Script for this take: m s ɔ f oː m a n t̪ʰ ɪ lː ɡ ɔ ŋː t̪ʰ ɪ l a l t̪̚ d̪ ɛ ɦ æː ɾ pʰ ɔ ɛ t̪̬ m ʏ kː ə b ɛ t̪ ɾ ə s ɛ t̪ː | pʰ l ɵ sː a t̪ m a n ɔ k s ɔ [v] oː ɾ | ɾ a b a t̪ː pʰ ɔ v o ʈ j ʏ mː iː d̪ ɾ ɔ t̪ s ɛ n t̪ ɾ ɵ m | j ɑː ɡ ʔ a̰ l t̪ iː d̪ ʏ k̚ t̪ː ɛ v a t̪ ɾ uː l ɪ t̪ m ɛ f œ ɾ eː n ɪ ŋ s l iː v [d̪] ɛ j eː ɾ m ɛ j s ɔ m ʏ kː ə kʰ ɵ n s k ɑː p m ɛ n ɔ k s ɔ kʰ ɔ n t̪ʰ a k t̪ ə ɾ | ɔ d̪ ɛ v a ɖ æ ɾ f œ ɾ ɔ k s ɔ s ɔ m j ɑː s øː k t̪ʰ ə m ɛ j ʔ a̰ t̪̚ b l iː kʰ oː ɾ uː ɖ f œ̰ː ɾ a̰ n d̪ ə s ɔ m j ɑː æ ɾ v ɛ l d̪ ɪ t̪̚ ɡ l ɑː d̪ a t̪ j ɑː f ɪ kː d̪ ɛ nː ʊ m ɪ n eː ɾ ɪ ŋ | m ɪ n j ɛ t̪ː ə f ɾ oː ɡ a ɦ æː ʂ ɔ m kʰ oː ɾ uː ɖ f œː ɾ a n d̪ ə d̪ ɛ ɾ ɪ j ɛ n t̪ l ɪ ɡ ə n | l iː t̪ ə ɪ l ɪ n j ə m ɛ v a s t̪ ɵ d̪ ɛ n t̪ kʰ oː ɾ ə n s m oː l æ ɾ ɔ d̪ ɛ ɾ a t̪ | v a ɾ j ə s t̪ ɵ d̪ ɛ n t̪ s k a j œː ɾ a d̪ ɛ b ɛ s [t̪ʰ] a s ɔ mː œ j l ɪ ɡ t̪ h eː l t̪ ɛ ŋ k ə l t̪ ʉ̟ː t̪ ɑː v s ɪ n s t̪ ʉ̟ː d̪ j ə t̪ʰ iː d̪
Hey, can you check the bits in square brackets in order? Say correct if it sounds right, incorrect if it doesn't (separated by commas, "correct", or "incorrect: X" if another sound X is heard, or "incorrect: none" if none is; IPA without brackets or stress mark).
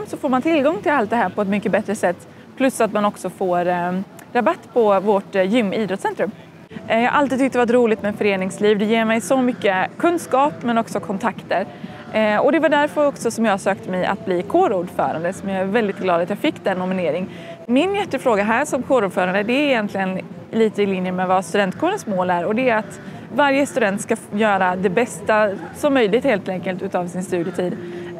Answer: incorrect: f, correct, incorrect: t̪